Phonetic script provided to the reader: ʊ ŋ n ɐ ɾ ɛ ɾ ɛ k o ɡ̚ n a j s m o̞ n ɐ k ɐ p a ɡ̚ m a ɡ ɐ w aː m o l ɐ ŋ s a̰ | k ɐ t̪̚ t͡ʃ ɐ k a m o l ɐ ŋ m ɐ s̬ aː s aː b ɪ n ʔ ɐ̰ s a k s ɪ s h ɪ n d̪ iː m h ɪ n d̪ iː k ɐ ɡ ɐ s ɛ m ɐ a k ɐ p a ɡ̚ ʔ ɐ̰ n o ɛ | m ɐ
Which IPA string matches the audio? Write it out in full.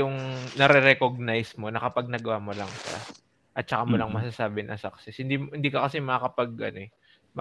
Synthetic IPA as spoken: ʊ ŋ n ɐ ɾ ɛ ɾ ɛ k o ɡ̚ n a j s m o̞ n ɐ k ɐ p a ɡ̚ n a ɡ ɐ w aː m o l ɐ ŋ ʃ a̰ | ʔ ɐ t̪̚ t͡ʃ ɐ k a m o l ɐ ŋ m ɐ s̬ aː s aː b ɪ n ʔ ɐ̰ s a k s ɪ s h ɪ n d̪ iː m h ɪ n d̪ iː k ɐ k ɐ s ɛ m ɐ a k ɐ p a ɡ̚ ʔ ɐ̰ n o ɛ | m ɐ